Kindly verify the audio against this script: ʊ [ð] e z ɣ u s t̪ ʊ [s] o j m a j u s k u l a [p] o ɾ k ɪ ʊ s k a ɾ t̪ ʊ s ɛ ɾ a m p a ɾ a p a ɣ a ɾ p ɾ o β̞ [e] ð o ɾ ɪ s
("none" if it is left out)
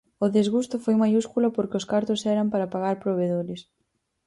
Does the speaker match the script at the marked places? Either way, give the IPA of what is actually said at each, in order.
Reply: ð, f, p, e

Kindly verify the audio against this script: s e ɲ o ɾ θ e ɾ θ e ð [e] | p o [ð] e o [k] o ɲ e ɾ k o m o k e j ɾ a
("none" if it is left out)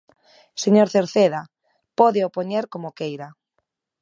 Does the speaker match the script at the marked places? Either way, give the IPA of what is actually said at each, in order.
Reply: a, ð, p

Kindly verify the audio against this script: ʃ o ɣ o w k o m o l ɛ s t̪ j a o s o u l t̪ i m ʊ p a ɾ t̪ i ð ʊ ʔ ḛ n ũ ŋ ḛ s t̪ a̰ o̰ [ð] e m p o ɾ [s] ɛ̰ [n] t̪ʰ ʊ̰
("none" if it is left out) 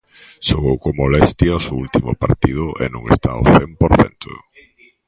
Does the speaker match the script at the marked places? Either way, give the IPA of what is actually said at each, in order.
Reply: θ, θ, n

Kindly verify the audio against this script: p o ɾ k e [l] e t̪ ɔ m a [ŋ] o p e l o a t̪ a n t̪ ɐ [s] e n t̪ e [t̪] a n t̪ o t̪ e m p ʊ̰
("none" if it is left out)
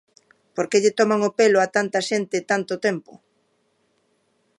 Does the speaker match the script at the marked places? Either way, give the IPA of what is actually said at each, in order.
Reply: ʎ, ŋ, ʃ, t̪

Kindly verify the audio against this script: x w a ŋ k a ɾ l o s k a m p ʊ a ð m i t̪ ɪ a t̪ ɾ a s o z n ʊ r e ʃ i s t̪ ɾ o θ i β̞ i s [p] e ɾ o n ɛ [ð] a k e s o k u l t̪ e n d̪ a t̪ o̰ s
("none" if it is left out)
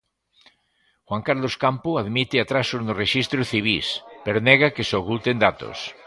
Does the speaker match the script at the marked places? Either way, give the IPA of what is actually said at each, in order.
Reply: p, ɣ

